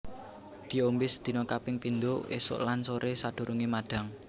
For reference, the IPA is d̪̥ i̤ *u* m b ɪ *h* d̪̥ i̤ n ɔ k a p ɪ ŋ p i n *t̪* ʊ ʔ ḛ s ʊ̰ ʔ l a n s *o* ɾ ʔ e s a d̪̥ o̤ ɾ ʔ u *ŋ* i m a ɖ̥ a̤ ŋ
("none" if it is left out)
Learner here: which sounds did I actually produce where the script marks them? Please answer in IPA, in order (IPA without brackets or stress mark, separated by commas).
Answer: o, s, d̪, o, ŋ